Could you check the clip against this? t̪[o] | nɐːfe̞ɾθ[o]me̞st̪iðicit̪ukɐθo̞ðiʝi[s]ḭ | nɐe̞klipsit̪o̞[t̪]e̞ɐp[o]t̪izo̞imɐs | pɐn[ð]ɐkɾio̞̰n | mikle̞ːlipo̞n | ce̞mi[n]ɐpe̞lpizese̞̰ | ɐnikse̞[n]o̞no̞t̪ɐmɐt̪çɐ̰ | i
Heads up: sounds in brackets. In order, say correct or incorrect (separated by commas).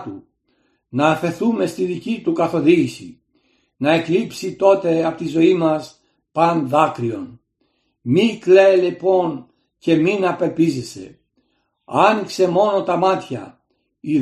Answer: incorrect, incorrect, correct, correct, correct, correct, correct, incorrect